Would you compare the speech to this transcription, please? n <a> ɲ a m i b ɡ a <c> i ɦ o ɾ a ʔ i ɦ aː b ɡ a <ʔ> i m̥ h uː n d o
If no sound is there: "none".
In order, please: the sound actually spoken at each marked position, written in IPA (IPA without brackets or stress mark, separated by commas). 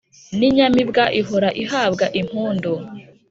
i, ʔ, ʔ